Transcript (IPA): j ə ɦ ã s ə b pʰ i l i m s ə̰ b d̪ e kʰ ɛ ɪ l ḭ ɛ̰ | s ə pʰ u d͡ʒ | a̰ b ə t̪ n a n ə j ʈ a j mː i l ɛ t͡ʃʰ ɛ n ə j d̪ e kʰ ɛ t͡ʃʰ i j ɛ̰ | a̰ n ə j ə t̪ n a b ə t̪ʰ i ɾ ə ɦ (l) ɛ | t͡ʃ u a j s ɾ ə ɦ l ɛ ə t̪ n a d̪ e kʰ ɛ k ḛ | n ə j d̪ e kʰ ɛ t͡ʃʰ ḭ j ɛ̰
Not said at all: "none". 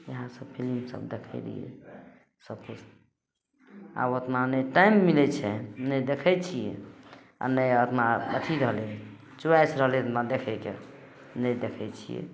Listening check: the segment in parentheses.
l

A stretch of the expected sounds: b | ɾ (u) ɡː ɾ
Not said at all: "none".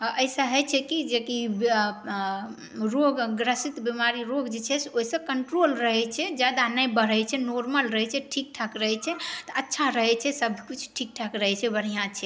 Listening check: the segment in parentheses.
o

